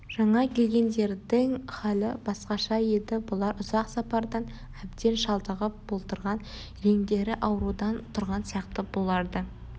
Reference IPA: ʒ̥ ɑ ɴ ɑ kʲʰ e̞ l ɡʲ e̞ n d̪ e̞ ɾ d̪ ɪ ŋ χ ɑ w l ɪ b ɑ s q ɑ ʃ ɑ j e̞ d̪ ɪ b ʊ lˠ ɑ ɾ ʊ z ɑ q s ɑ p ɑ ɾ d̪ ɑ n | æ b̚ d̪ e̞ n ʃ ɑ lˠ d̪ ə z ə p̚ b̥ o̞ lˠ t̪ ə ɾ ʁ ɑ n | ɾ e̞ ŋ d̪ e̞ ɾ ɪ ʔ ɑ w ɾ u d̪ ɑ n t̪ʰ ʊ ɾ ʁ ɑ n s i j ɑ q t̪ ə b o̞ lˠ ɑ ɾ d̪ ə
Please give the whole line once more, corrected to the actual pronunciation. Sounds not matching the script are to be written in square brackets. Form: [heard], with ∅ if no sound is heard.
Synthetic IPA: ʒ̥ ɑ ɴ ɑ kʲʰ e̞ l ɡʲ e̞ n d̪ e̞ ɾ d̪ ɪ ŋ χ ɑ [∅] l ɪ b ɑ s q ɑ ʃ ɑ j e̞ d̪ ɪ b ʊ lˠ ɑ ɾ ʊ z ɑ q s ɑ p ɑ ɾ d̪ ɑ n | æ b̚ d̪ e̞ n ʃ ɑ lˠ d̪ ə [ʁ] ə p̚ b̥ o̞ lˠ t̪ ə ɾ ʁ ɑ n | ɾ e̞ ŋ d̪ e̞ ɾ ɪ ʔ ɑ w ɾ u d̪ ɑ n t̪ʰ ʊ ɾ ʁ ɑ n s i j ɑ q t̪ ə b o̞ lˠ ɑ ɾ d̪ ə